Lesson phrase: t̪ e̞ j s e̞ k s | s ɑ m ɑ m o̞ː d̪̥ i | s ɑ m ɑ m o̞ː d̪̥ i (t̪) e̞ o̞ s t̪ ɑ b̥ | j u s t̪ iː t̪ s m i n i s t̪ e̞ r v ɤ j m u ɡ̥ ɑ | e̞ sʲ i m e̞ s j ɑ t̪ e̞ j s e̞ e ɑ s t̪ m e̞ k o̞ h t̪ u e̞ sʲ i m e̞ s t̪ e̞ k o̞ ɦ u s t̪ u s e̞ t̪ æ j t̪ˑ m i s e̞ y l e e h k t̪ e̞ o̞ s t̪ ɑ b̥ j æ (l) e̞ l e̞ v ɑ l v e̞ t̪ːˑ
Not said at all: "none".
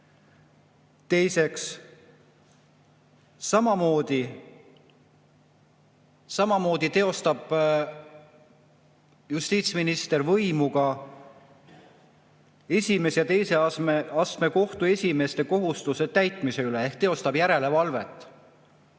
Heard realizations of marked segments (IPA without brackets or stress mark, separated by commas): t̪, ɾ